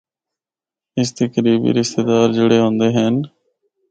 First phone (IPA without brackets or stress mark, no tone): ɪ